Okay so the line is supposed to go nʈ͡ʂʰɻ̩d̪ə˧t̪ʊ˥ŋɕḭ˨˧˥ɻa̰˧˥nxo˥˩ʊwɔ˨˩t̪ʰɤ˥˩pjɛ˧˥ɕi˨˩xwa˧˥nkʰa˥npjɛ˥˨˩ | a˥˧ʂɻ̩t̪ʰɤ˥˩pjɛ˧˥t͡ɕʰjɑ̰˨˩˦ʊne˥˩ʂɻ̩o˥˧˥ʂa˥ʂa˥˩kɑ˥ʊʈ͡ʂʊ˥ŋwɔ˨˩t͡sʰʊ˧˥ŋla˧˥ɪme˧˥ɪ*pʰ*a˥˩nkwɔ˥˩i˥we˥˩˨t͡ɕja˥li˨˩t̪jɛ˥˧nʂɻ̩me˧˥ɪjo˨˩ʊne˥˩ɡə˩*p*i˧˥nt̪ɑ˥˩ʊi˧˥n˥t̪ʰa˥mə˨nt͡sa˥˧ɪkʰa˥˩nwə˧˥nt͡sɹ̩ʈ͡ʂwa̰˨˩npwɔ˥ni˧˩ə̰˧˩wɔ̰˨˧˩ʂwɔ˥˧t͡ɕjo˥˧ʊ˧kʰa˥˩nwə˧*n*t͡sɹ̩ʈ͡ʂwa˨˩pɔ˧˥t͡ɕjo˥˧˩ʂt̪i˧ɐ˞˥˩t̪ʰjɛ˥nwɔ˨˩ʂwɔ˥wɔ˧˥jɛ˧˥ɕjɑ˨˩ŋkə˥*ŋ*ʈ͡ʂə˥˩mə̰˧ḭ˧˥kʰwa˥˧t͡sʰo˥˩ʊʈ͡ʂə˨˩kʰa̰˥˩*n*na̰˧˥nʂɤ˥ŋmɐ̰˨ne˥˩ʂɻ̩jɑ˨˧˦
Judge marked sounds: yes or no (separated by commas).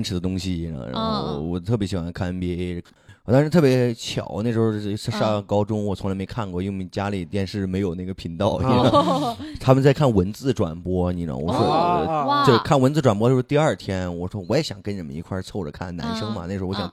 no, no, yes, no, yes